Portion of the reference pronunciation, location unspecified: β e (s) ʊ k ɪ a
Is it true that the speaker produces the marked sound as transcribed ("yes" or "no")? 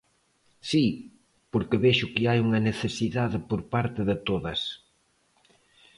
no